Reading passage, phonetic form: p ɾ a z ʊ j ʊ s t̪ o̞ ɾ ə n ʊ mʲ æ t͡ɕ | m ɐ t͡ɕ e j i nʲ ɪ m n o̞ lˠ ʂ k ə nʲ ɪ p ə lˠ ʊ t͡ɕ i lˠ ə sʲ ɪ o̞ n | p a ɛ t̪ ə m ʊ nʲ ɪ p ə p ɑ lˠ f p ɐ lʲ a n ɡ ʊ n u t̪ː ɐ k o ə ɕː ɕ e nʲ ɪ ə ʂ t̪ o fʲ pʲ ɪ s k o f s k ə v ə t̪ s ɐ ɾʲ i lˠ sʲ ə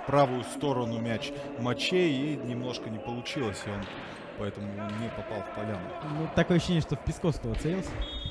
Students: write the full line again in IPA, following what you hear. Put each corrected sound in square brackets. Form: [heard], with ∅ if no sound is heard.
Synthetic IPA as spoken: p ɾ a [v] ʊ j ʊ s t̪ o̞ ɾ ə n ʊ mʲ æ t͡ɕ | m ɐ t͡ɕ e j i nʲ ɪ m n o̞ [∅] ʂ k ə nʲ ɪ p ə lˠ ʊ t͡ɕ i lˠ ə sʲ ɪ o̞ n | p [ɐ] ɛ t̪ ə m ʊ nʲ ɪ p [ɐ] p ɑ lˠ f p ɐ lʲ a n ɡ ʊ n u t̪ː ɐ k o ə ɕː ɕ e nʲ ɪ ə ʂ t̪ o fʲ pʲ ɪ s k o f s k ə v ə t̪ s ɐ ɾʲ i lˠ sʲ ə

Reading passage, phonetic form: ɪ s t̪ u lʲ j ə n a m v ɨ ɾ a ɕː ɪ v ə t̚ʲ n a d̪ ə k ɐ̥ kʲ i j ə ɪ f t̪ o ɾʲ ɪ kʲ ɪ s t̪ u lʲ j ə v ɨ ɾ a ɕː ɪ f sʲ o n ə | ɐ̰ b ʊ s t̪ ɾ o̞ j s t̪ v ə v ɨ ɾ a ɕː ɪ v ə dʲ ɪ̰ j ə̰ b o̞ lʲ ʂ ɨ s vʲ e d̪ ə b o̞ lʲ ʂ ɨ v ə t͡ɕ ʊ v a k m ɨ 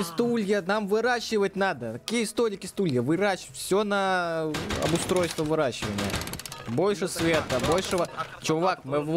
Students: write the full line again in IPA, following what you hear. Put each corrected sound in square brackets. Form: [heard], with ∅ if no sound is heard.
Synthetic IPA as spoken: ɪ s t̪ u lʲ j ə n a m v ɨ ɾ a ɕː ɪ v ə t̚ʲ n a d̪ ə k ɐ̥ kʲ i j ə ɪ [s] t̪ o ɾʲ ɪ kʲ ɪ s t̪ u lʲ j ə v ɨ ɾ a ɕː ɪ f sʲ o n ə | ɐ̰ b ʊ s t̪ ɾ o̞ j s t̪ v ə v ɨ ɾ a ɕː ɪ v ə [nʲ] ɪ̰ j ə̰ b o̞ lʲ ʂ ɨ s vʲ e [t̪] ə b o̞ lʲ ʂ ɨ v ə t͡ɕ ʊ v a k m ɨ

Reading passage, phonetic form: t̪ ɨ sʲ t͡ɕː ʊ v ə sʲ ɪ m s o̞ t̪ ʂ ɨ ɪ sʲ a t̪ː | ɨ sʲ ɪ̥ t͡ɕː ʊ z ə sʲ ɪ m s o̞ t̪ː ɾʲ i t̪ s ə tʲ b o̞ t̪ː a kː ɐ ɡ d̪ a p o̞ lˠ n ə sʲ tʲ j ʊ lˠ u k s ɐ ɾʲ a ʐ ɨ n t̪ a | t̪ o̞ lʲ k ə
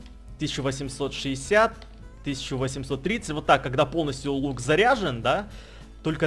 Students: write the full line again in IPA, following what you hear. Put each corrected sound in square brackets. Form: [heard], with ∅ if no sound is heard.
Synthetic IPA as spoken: t̪ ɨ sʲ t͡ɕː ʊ v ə sʲ ɪ m s o̞ t̪ ʂ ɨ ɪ sʲ a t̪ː | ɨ sʲ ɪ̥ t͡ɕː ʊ [v] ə sʲ ɪ m s o̞ t̪ː ɾʲ i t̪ s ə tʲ [v] o̞ t̪ː a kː ɐ ɡ d̪ a p o̞ lˠ n ə sʲ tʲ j ʊ lˠ u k [z] ɐ ɾʲ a ʐ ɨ n [d̪] a | t̪ o̞ lʲ k ə

